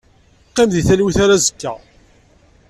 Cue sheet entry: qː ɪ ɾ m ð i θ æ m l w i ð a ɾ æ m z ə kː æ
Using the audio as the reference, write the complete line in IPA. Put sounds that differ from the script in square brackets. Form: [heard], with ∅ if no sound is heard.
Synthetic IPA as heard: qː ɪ [∅] m ð i θ æ [∅] l w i [θ] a ɾ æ [∅] z ə kː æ